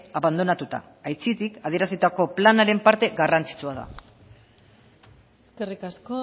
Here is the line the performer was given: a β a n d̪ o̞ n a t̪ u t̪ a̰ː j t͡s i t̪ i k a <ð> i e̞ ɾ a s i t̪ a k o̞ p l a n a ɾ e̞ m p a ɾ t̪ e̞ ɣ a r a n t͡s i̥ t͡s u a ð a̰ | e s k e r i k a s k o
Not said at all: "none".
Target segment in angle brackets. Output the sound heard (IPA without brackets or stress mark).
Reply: ð